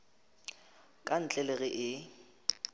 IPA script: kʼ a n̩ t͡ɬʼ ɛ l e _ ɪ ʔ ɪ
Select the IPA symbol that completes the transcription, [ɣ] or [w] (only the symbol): ɣ